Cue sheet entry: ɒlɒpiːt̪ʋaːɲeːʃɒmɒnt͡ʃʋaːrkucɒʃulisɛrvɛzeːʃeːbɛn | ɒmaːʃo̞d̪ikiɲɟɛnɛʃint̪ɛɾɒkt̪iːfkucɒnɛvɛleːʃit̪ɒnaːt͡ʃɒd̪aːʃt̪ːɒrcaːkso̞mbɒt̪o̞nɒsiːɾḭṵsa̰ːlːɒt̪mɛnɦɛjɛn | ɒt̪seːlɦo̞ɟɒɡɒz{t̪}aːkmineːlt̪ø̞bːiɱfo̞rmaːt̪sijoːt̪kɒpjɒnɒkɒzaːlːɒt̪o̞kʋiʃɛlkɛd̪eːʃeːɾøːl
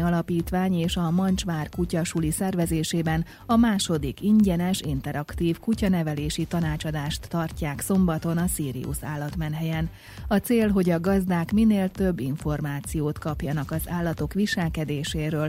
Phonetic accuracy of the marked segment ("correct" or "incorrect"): incorrect